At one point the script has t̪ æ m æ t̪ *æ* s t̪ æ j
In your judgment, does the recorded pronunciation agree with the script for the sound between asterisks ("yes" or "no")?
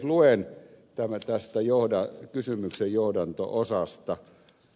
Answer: yes